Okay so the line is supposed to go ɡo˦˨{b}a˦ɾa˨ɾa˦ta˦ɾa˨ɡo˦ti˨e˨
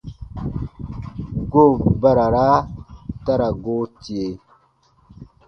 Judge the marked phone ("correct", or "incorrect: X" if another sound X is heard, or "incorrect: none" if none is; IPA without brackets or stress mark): correct